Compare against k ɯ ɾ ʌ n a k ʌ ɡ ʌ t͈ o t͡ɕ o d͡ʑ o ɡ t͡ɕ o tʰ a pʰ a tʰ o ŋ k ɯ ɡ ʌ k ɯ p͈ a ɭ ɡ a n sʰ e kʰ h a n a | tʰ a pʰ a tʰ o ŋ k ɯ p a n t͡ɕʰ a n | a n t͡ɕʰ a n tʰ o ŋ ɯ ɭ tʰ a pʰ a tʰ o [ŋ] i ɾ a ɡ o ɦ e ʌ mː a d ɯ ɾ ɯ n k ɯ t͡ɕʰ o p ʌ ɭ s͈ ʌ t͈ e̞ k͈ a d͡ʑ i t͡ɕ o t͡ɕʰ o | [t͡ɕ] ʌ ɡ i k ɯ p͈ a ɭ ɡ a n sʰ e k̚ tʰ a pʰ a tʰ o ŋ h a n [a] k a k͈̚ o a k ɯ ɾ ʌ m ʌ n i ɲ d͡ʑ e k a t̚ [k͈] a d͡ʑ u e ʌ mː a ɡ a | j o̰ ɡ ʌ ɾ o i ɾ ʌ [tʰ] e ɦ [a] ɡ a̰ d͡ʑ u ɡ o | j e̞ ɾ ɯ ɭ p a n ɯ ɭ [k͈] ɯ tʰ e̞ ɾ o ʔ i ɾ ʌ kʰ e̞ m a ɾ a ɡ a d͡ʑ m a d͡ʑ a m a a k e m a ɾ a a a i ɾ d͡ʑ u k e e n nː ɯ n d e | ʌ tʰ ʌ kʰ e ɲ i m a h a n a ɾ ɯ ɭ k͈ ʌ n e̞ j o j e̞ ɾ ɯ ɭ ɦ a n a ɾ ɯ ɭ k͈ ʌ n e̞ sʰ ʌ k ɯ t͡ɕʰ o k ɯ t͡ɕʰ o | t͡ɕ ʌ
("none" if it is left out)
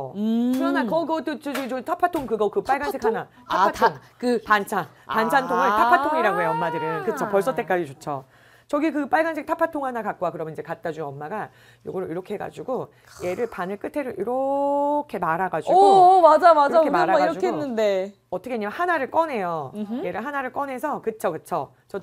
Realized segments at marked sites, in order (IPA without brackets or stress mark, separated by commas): ŋ, t͡ɕ, a, t͈, kʰ, e, k͈